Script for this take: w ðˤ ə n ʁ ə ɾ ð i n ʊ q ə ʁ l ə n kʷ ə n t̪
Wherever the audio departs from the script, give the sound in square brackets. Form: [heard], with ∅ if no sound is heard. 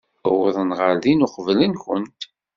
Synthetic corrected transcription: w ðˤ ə n ʁ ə ɾ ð i n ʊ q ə [v] l ə n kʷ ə n t̪